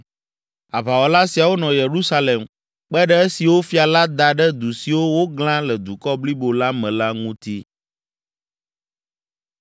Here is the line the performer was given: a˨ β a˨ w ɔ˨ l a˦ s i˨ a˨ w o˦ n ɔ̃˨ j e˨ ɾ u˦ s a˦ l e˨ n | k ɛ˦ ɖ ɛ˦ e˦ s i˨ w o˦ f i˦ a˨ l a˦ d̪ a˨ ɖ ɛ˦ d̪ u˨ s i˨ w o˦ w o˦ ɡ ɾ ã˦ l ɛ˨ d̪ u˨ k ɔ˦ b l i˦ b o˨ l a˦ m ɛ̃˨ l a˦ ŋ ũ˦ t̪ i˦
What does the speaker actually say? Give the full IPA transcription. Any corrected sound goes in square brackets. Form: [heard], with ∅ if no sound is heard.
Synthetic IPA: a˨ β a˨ w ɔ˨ l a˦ s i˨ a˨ w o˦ n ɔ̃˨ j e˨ ɾ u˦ s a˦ l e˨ [m] | [k͡p] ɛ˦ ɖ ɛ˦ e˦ s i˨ w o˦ f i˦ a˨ l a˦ d̪ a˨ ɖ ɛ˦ d̪ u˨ s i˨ w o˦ w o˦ ɡ [l] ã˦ l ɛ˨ d̪ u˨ k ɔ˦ b l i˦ b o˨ l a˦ m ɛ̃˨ l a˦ ŋ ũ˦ t̪ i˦